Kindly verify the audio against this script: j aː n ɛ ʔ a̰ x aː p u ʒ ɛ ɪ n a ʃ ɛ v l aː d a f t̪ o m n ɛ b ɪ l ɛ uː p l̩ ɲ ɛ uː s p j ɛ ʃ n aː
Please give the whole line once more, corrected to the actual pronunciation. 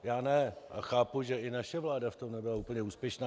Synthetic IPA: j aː n ɛ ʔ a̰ x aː p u ʒ ɛ ɪ n a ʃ ɛ v l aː d a f t̪ o m n ɛ b ɪ l a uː p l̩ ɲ ɛ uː s p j ɛ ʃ n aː